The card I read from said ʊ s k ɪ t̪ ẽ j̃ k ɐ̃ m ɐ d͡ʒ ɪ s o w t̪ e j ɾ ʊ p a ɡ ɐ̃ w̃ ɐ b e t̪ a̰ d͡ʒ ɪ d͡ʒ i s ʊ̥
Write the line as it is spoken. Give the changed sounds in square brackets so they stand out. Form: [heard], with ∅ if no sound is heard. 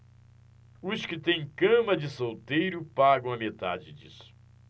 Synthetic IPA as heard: ʊ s k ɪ t̪ ẽ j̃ k ɐ̃ m ɐ d͡ʒ ɪ s o w t̪ e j ɾ ʊ p a ɡ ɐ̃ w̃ ɐ [m] e t̪ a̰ d͡ʒ ɪ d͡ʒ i s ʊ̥